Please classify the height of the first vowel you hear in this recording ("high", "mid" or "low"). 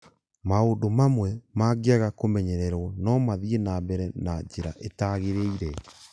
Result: low